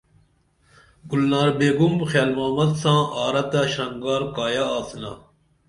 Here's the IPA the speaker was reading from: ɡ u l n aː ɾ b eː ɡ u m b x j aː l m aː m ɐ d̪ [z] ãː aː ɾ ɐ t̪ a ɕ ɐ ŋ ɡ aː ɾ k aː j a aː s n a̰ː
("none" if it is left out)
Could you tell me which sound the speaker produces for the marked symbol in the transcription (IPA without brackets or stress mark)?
s